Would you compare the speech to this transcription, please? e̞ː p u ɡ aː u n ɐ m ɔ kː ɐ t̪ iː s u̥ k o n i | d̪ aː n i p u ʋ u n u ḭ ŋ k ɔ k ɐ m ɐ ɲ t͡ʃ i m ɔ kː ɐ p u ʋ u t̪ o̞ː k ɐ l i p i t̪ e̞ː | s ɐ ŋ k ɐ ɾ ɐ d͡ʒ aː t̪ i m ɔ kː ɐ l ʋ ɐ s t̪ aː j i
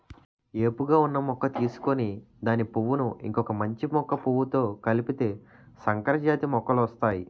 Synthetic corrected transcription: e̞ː p u ɡ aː u nː ɐ m ɔ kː ɐ t̪ iː s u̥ k o n i | d̪ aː n i p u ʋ u n u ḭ ŋ k ɔ k ɐ m ɐ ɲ t͡ʃ i m ɔ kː ɐ p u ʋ u t̪ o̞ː k ɐ l i p i t̪ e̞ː | s ɐ ŋ k ɐ ɾ ɐ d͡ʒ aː t̪ i m ɔ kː ɐ l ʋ ɐ s t̪ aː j i